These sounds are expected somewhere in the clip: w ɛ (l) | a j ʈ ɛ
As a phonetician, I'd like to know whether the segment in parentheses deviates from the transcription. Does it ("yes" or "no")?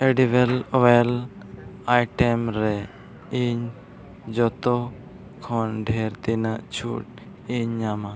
no